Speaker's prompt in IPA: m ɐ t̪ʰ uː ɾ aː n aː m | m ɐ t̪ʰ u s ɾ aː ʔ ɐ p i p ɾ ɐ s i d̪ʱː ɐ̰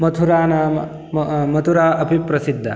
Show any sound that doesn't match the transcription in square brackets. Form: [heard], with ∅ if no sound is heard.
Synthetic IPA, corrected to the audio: m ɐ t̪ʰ [u] ɾ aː n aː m | m ɐ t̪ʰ u [∅] ɾ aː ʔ ɐ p i p ɾ ɐ s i d̪ʱː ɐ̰

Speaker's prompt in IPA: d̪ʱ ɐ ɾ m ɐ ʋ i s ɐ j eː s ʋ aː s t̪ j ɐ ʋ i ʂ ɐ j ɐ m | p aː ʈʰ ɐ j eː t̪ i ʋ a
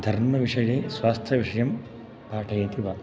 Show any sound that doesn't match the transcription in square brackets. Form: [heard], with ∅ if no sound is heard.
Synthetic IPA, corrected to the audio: d̪ʱ ɐ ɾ m ɐ ʋ i [ʂ] ɐ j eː s ʋ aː s [t̪ʰ] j ɐ ʋ i ʂ ɐ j ɐ m | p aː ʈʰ ɐ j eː t̪ i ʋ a

